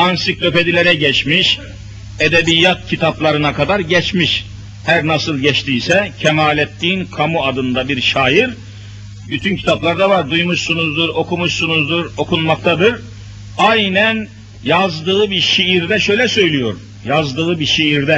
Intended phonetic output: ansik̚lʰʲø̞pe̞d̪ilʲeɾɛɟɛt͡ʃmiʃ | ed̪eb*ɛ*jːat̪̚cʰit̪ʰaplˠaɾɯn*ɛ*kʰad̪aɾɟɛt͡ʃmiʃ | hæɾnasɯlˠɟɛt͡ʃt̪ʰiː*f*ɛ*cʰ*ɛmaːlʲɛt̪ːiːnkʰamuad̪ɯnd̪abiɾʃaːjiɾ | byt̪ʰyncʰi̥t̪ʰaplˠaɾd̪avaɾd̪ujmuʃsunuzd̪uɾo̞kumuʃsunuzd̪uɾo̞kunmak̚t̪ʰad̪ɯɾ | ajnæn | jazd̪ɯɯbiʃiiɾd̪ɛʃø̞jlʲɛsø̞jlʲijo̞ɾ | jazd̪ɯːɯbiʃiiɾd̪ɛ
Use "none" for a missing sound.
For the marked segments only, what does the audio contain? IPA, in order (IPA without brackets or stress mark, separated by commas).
i, a, s, cʰ